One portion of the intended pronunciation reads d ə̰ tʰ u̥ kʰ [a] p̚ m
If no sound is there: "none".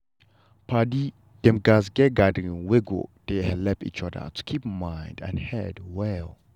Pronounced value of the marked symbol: i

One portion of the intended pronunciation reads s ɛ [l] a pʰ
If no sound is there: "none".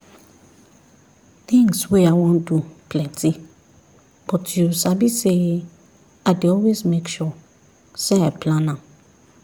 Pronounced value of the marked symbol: none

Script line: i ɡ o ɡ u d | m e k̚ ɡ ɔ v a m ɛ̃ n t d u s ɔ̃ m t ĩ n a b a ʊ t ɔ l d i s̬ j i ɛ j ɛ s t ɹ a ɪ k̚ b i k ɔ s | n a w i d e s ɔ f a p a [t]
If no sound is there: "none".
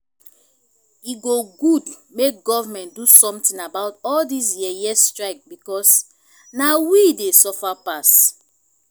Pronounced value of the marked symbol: s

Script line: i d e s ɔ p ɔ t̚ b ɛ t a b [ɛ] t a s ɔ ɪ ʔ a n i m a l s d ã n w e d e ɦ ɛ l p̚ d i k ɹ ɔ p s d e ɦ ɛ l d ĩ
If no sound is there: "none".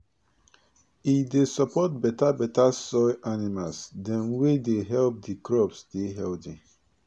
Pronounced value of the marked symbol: ɛ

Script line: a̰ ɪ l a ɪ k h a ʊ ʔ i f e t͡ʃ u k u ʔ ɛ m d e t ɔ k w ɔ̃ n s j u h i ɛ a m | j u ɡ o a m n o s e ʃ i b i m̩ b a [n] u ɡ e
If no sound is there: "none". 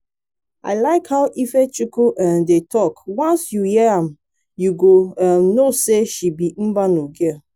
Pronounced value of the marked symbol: n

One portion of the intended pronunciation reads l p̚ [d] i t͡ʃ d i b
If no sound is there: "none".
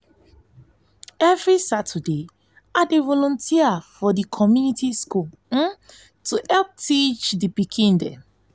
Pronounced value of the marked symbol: t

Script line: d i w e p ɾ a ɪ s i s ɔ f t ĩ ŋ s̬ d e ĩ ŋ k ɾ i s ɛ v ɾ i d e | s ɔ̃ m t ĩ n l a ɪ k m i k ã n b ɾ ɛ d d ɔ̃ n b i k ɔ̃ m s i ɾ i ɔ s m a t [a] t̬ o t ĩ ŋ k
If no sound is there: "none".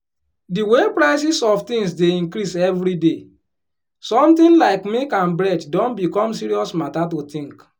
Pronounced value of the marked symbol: a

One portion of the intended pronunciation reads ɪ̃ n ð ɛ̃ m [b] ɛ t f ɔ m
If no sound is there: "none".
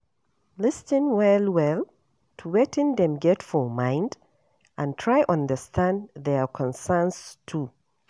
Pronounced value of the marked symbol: ɡ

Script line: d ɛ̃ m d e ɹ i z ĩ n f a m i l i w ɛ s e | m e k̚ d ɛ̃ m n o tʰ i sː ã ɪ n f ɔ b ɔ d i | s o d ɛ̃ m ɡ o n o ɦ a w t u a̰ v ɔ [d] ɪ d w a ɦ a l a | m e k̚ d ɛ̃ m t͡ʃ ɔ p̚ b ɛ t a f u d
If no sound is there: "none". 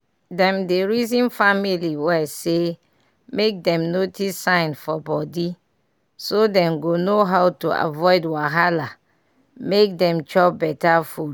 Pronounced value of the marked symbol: none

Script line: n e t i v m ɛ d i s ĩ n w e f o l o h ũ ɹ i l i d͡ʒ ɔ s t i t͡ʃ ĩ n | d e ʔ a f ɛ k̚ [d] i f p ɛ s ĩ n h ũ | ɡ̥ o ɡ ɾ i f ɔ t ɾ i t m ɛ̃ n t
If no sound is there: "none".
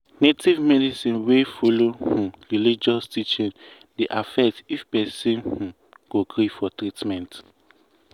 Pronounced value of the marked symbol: t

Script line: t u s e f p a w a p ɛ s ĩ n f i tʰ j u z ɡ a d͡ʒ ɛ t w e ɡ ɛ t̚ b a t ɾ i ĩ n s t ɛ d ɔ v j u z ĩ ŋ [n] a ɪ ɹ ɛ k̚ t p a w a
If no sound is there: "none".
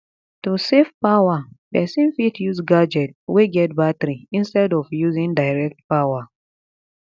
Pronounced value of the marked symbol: d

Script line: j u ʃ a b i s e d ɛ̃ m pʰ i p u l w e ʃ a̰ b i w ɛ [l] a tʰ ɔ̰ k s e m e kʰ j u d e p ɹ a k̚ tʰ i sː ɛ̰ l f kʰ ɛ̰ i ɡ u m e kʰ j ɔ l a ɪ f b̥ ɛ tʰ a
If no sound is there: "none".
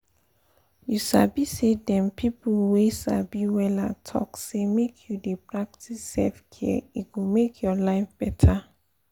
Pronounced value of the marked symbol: l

